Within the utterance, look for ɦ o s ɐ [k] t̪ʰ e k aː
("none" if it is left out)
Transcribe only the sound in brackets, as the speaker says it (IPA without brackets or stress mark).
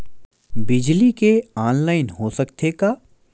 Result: k